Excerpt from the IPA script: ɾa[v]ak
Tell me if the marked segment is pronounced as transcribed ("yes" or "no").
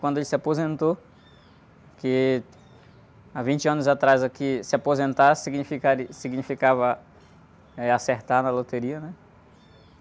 no